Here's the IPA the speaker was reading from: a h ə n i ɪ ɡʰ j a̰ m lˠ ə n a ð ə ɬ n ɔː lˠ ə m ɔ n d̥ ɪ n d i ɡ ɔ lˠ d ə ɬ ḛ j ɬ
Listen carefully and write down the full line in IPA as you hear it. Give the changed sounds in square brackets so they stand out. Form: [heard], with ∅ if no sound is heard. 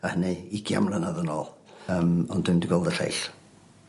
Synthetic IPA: a h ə n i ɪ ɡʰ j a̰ m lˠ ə n a ð ə [∅] n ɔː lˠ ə m ɔ n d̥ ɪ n d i ɡ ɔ lˠ d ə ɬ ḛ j ɬ